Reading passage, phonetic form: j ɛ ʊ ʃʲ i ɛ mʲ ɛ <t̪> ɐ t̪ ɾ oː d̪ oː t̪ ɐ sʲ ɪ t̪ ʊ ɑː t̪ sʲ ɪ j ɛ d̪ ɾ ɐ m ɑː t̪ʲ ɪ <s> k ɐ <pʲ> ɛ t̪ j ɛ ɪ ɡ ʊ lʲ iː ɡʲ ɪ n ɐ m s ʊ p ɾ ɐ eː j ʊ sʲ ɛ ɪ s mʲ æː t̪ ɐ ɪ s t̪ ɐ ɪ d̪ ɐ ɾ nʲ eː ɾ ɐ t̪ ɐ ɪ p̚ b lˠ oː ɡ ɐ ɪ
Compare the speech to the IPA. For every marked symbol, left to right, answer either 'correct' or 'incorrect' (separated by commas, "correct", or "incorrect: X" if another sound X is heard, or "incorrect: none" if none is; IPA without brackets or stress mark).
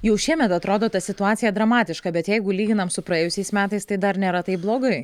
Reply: correct, incorrect: ʃ, incorrect: bʲ